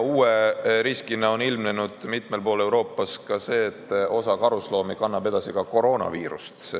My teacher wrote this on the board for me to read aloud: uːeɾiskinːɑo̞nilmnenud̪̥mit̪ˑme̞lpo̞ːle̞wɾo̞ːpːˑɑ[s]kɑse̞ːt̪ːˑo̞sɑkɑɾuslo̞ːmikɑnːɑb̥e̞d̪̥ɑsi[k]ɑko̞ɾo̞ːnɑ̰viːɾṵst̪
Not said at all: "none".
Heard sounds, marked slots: s, k

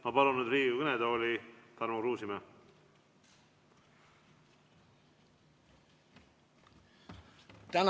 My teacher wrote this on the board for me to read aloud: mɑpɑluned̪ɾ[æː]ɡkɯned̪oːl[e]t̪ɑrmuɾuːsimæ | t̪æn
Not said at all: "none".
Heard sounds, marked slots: iː, i

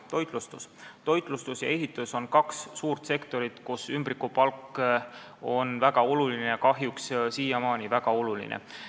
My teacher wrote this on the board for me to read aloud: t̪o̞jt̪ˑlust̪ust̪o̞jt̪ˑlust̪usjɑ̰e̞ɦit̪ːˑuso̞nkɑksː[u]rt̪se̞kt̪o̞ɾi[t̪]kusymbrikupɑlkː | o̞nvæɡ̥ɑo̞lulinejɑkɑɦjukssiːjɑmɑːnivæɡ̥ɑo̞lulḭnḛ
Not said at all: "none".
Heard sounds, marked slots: uː, t̪

